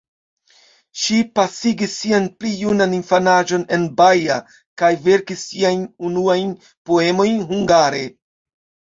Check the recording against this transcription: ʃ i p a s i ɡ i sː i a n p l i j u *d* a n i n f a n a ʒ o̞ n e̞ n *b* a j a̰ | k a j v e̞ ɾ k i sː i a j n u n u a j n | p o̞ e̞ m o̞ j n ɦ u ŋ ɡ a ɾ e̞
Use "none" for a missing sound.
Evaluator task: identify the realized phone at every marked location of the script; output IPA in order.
n, b

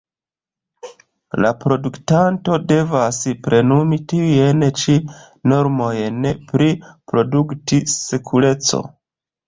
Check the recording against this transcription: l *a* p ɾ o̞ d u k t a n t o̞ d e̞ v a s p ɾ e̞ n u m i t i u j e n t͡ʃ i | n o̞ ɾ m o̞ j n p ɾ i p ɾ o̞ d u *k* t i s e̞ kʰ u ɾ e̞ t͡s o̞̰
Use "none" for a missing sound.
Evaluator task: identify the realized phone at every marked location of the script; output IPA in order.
a, k

